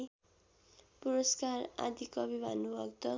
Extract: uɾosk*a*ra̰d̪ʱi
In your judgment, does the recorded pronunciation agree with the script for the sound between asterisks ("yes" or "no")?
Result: yes